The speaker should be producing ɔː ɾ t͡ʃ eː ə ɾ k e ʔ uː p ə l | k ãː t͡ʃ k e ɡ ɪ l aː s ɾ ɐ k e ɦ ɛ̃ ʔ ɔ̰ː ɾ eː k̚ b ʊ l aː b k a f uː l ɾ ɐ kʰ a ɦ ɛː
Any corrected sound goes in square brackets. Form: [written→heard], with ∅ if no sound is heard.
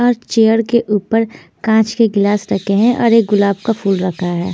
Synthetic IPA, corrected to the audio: ɔː ɾ t͡ʃ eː ə ɾ k e ʔ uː p ə [l→ɾ] | k ãː t͡ʃ k e ɡ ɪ l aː s ɾ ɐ k e ɦ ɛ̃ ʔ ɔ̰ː ɾ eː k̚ [b→ɡ] ʊ l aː b k a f uː l ɾ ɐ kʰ a ɦ ɛː